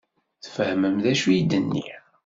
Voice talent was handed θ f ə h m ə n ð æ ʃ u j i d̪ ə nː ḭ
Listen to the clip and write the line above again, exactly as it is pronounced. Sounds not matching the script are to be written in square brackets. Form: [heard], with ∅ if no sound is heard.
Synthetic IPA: θ f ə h m ə [m] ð æ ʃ u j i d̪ ə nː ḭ

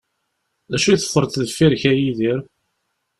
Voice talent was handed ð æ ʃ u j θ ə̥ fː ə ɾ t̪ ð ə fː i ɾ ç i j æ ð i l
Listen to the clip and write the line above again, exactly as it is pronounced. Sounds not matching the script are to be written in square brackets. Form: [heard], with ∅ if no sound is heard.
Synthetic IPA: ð æ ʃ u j θ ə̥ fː ə ɾ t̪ ð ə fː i ɾ ç [æ] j [i] ð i [ɾ]

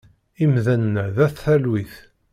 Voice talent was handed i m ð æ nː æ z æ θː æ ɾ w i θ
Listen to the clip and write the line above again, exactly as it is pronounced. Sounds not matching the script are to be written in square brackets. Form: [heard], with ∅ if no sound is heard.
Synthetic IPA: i m ð æ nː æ [ð] æ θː æ [l] w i θ

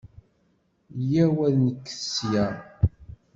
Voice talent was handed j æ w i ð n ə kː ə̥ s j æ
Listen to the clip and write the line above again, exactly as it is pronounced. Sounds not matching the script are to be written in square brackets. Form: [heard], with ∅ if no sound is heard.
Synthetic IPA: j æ w [æ] ð n ə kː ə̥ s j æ

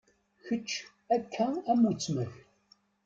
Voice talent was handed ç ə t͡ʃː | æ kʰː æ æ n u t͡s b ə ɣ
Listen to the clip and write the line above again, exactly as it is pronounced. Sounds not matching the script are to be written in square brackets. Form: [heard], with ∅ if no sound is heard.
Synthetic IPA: ç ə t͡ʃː | æ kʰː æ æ [m] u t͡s [m] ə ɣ

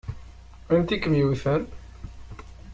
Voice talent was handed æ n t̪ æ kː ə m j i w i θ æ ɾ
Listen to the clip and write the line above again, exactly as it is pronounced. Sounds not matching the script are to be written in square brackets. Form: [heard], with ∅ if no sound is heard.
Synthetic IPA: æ n t̪ [i] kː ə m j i w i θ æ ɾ

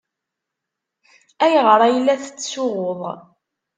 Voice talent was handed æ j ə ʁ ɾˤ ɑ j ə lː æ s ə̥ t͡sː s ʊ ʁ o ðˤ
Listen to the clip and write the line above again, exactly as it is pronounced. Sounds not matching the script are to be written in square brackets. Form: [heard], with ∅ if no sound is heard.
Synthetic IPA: æ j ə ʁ ɾˤ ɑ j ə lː æ [θ] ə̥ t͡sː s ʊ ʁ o ðˤ

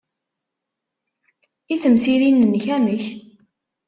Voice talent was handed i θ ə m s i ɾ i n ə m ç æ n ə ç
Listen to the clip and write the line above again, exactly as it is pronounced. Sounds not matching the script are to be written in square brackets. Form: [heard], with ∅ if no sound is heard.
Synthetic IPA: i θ ə m s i ɾ i n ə [n] ç æ [m] ə ç

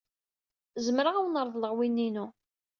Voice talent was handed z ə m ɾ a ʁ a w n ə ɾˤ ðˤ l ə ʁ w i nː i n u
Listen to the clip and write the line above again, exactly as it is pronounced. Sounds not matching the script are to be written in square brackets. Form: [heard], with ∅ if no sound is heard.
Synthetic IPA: z ə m ɾ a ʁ a w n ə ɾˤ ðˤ l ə ʁ w i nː i n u

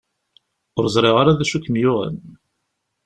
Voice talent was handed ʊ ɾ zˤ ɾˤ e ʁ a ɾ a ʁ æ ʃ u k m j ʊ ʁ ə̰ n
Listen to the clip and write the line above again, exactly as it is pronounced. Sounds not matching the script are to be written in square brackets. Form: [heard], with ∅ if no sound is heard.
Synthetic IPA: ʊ ɾ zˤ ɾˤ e ʁ a ɾ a [ð] æ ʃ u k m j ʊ ʁ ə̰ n

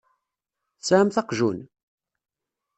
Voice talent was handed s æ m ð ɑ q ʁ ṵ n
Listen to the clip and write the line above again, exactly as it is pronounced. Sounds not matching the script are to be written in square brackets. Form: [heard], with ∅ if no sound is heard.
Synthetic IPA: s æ m [θ] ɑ q [ʒ] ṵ n

